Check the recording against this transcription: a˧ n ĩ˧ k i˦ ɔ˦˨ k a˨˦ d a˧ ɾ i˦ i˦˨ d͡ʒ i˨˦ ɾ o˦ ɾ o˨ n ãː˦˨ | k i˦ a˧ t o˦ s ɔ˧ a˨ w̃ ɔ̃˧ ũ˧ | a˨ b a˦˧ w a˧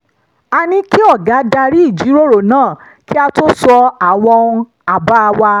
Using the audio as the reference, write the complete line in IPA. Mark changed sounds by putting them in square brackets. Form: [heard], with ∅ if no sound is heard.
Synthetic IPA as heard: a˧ n ĩ˧ k i˦ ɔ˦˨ [ɡ] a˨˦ d a˧ ɾ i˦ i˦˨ d͡ʒ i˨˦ ɾ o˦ ɾ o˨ n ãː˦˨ | k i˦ a˧ t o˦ s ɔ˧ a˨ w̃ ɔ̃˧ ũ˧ | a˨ b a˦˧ w a˧